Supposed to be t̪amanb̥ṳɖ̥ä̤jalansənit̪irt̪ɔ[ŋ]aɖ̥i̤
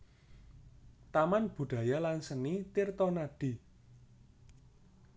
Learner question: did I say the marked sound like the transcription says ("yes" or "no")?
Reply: no